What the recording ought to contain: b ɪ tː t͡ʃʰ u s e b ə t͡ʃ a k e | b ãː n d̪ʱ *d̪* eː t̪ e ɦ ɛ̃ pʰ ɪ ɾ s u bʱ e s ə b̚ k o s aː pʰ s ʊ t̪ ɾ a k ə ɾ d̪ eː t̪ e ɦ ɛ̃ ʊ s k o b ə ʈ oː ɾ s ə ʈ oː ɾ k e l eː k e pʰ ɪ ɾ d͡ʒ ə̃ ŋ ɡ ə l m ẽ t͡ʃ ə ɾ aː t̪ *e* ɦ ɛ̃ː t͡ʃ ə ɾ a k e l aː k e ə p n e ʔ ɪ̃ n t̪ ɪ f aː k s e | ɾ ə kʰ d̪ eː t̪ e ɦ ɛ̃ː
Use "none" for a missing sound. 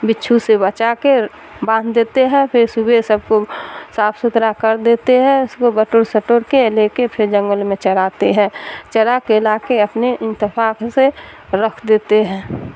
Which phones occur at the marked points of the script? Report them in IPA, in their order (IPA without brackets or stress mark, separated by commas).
d̪, e